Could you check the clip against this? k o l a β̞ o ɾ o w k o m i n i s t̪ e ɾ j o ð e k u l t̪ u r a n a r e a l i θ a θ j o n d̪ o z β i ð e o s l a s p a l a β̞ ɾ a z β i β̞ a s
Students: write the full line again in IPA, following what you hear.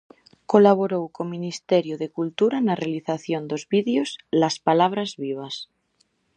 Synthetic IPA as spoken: k o l a β̞ o ɾ o w k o m i n i s t̪ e ɾ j o ð e k u l t̪ u ɾ a n a r e a l i θ a θ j o n d̪ o z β i ð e o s l a s p a l a β̞ ɾ a z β i β̞ a s